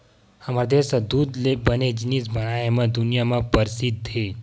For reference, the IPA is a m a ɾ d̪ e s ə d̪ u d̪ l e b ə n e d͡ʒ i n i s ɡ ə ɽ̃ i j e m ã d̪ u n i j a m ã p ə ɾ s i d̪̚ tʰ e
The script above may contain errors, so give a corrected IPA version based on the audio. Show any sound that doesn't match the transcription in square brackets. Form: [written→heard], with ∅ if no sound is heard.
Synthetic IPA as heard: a m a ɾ d̪ e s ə d̪ u d̪ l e b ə n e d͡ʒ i n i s [ɡ→b] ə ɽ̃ [i→a] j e m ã d̪ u n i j a m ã p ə ɾ s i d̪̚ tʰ e